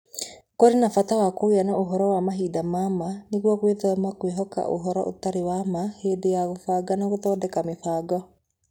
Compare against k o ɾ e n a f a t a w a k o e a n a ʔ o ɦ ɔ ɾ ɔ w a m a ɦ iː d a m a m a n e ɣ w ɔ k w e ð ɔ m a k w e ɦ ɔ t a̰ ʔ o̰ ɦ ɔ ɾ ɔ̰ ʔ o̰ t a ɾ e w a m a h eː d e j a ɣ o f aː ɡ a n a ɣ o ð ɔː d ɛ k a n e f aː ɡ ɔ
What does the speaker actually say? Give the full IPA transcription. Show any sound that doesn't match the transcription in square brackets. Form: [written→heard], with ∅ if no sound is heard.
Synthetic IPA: k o ɾ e n a f a t a w a k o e a n a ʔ o ɦ ɔ ɾ ɔ w a m a ɦ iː d a m a m a n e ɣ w ɔ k w e ð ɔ m a k w e ɦ ɔ [t→k] a̰ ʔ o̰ ɦ ɔ ɾ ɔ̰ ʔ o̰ t a ɾ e w a m a h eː d e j a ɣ o f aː ɡ a n a ɣ o ð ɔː d ɛ k a [n→m] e f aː ɡ ɔ